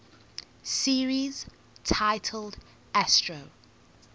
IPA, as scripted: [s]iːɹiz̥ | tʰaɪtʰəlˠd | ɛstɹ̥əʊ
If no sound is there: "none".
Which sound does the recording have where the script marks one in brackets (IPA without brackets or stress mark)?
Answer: s